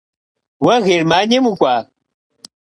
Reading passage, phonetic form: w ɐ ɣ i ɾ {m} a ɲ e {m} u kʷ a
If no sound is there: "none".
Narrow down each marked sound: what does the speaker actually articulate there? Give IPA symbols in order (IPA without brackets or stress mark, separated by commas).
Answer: m, m